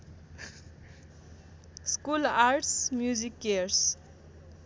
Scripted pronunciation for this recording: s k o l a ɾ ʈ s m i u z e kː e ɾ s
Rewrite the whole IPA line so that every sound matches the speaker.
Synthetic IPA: s k u l a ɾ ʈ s m j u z i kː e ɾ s